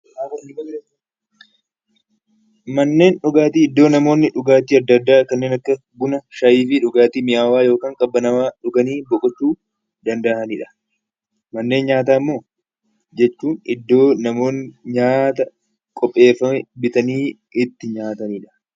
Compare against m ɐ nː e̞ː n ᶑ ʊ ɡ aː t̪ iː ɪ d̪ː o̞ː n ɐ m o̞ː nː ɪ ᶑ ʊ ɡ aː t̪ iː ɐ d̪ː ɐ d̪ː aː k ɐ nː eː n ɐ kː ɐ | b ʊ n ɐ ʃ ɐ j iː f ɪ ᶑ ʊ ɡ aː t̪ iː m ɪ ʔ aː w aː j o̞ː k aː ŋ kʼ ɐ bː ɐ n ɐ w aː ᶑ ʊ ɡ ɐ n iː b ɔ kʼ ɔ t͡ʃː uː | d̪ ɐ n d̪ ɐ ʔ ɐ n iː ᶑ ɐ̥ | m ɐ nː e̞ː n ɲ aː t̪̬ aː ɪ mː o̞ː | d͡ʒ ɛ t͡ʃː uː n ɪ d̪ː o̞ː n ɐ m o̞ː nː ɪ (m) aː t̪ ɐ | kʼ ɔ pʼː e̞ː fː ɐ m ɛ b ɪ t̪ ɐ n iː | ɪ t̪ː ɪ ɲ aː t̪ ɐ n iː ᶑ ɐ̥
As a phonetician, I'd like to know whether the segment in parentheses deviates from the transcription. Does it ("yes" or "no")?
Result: yes